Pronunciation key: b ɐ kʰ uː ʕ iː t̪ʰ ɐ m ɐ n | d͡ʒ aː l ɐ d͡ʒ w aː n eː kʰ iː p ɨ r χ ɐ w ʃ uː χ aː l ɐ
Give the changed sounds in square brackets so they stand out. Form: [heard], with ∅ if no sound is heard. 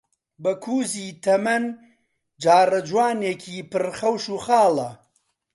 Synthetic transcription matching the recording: b ɐ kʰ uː [z] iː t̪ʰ ɐ m ɐ n | d͡ʒ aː [r] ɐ d͡ʒ w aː n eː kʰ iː p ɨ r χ ɐ w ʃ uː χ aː l ɐ